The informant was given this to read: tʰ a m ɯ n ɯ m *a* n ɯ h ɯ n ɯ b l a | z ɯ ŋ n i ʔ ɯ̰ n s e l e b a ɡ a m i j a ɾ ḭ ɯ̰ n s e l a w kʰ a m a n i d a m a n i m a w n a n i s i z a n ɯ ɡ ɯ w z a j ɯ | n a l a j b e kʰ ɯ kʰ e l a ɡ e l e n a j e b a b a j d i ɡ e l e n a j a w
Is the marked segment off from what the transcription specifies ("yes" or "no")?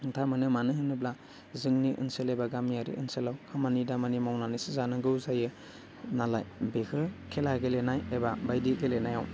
no